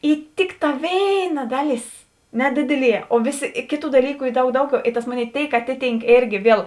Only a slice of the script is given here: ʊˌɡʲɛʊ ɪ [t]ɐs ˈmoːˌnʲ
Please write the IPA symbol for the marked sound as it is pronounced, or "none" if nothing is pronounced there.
t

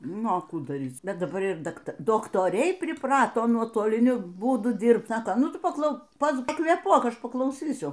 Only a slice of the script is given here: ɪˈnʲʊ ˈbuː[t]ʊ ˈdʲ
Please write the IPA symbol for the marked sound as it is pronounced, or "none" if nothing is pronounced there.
d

